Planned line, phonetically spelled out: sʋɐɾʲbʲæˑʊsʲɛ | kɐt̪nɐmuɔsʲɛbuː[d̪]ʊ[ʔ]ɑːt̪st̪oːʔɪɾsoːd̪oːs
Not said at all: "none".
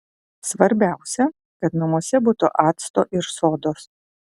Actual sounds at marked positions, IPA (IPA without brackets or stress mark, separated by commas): t̪, ʔ